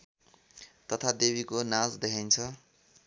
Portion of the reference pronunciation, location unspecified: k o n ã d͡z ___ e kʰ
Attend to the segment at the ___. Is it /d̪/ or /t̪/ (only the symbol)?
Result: d̪